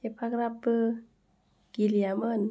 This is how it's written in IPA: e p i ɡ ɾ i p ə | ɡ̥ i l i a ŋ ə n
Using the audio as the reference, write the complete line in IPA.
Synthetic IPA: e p a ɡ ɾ a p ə | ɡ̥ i l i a m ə n